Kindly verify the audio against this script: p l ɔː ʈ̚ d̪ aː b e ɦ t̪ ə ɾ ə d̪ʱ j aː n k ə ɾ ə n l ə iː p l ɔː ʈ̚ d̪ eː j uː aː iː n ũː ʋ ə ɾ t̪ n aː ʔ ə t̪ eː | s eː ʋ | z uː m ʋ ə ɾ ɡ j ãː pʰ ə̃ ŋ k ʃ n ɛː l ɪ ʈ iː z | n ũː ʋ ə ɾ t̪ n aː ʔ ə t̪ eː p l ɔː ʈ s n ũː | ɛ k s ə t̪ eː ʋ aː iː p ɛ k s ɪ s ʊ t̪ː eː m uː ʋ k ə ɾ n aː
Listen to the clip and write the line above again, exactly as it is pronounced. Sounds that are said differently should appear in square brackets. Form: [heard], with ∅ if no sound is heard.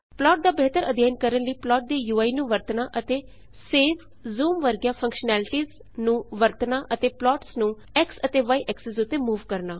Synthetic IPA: p l ɔː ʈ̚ d̪ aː b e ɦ t̪ ə ɾ ə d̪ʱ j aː n k ə ɾ ə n l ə iː p l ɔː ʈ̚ d̪ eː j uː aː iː n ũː ʋ ə ɾ t̪ n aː ʔ ə t̪ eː | s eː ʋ | z uː m ʋ ə ɾ ɡ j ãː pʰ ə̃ ŋ k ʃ n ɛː l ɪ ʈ iː z | n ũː ʋ ə ɾ t̪ n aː ʔ ə t̪ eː p l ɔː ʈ s n ũː | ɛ k s ə t̪ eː ʋ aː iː [ʔ] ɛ k s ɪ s ʊ t̪ː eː m uː ʋ k ə ɾ n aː

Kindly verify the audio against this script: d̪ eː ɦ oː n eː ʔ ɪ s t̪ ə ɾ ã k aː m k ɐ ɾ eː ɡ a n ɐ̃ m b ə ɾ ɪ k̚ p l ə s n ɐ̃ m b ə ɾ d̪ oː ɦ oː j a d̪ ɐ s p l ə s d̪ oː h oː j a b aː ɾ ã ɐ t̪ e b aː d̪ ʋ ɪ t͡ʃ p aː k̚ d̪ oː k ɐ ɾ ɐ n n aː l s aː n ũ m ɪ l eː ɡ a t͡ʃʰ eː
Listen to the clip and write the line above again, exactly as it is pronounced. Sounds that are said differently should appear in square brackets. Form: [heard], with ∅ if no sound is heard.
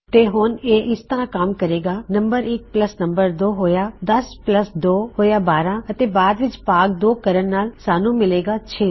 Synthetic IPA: [t̪] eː ɦ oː n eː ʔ ɪ s t̪ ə ɾ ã k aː m k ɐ ɾ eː ɡ a n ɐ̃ m b ə ɾ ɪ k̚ p l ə s n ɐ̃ m b ə ɾ d̪ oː ɦ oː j a d̪ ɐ s p l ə s d̪ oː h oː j a b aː ɾ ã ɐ t̪ e b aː d̪ ʋ ɪ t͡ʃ p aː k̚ d̪ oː k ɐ ɾ [ə] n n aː l s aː n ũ m ɪ l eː ɡ a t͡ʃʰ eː

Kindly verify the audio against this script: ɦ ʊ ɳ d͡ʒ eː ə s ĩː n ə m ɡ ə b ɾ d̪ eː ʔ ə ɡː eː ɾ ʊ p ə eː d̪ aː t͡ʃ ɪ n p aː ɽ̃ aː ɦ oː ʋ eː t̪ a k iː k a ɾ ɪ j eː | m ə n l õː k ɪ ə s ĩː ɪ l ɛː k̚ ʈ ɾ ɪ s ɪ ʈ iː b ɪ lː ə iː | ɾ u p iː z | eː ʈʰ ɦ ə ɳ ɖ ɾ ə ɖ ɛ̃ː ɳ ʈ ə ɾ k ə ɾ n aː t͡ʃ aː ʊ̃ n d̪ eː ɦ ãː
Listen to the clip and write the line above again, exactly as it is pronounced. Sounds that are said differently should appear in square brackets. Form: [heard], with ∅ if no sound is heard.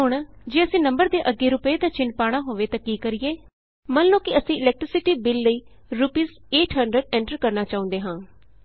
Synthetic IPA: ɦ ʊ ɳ d͡ʒ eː ə s ĩː n ə m [b] ə [∅] ɾ d̪ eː ʔ ə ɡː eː ɾ ʊ p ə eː d̪ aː t͡ʃ ɪ n p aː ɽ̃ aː ɦ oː ʋ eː t̪ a k iː k [ə] ɾ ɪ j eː | m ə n l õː k ɪ ə s ĩː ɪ l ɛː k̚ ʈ ɾ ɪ s ɪ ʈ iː b ɪ lː ə iː | ɾ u p iː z | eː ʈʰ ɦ ə ɳ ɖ ɾ ə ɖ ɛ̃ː ɳ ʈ ə ɾ k ə ɾ n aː t͡ʃ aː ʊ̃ n d̪ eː ɦ ãː

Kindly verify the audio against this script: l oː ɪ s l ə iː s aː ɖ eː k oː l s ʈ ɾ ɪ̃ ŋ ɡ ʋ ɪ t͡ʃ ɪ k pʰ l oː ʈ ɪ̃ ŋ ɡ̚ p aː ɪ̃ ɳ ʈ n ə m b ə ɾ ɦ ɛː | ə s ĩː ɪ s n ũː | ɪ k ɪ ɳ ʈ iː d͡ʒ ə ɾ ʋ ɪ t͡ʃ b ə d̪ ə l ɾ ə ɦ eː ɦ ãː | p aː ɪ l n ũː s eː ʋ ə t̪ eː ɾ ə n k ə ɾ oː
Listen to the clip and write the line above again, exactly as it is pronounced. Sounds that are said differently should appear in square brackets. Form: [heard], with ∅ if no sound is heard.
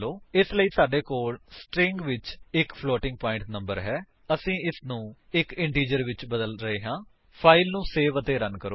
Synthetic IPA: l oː ɪ s l ə iː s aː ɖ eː k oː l s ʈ ɾ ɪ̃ ŋ ɡ ʋ ɪ t͡ʃ ɪ k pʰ l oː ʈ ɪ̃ ŋ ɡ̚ p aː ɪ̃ ɳ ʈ n ə m b ə ɾ ɦ ɛː | ə s ĩː ɪ s n ũː | ɪ k ɪ ɳ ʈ iː d͡ʒ ə ɾ ʋ ɪ t͡ʃ b ə d̪ ə l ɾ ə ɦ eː ɦ ãː | [pʰ] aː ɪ l n ũː s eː ʋ ə t̪ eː ɾ ə n k ə ɾ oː

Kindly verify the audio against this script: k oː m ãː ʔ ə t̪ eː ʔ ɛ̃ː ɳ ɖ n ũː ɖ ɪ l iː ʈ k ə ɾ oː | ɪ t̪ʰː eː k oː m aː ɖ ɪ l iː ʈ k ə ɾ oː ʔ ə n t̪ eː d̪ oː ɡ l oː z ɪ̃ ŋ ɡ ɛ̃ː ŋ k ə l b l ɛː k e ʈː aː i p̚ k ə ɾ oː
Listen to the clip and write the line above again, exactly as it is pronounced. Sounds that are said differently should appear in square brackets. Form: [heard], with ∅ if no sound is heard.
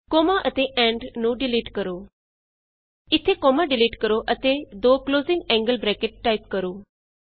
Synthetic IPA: k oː m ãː ʔ ə t̪ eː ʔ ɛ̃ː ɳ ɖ n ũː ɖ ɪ l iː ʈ k ə ɾ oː | ɪ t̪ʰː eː k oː m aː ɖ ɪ l iː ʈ k ə ɾ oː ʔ ə [∅] t̪ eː d̪ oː [k] l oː z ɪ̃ ŋ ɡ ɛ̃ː ŋ [ɡ] ə l b [ɾ] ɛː k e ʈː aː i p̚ k ə ɾ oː

